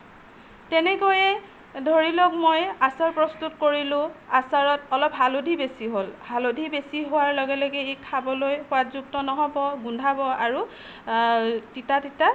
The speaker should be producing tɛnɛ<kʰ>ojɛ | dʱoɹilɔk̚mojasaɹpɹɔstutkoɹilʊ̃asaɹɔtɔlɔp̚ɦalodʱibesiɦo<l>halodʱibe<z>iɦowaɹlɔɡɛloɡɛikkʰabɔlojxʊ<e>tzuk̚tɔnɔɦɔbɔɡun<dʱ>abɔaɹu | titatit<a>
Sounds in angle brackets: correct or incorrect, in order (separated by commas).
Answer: incorrect, correct, incorrect, incorrect, correct, correct